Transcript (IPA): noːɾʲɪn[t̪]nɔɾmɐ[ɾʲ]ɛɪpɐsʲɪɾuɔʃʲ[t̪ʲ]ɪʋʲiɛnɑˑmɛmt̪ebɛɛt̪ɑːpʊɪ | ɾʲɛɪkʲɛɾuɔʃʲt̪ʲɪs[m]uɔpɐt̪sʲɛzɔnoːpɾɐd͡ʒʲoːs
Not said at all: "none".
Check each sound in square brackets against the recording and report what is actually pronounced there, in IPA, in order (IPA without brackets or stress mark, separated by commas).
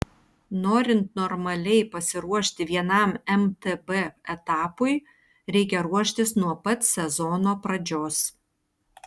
t̪, lʲ, t̪ʲ, n